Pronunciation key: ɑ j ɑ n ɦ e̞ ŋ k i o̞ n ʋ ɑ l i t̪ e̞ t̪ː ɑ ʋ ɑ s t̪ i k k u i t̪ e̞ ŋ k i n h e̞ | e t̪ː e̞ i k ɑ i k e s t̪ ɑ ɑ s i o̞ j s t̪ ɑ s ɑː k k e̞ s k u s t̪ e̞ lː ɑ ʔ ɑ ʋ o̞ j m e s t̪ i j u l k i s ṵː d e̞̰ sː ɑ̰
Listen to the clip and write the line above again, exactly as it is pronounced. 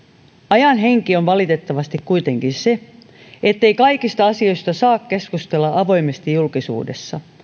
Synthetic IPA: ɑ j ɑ n ɦ e̞ ŋ k i o̞ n ʋ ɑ l i t̪ e̞ t̪ː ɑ ʋ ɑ s t̪ i k k u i t̪ e̞ ŋ k i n s e̞ | e t̪ː e̞ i k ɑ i k i s t̪ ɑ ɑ s i o̞ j s t̪ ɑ s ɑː k k e̞ s k u s t̪ e̞ lː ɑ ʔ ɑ ʋ o̞ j m e s t̪ i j u l k i s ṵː d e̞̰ sː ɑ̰